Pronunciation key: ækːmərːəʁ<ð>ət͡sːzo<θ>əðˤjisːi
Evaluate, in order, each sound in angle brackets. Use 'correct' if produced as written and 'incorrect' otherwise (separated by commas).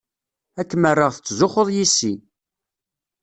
incorrect, incorrect